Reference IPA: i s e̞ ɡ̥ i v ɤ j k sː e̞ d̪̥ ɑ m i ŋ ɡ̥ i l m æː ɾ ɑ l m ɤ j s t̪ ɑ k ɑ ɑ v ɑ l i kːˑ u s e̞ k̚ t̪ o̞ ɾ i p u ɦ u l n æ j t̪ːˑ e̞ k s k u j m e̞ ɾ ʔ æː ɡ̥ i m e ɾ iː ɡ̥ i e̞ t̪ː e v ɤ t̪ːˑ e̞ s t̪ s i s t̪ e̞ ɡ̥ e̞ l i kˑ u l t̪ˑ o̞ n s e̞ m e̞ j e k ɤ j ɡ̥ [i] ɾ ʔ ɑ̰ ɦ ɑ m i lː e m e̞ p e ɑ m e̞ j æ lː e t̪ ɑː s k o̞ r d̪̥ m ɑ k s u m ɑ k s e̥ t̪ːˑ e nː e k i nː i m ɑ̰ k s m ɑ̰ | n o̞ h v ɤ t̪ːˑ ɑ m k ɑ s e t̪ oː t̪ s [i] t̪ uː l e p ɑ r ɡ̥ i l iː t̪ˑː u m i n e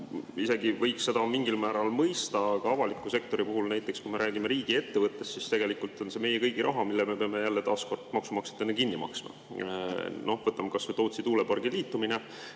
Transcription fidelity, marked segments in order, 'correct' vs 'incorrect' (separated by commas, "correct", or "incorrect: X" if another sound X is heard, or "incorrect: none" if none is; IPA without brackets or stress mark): correct, correct